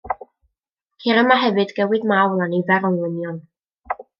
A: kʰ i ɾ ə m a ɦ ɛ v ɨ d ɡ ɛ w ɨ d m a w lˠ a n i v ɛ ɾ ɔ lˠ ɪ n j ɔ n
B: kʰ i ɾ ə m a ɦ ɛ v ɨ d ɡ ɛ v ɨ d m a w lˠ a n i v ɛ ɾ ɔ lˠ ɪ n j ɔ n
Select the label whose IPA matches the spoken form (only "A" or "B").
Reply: A